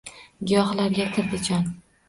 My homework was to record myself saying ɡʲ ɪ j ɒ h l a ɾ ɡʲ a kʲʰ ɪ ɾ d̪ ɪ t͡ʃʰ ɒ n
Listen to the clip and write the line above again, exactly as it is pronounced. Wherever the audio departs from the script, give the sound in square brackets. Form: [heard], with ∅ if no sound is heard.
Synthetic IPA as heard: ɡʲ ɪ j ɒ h l a ɾ ɡʲ a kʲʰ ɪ ɾ d̪ ɪ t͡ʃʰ ɒ n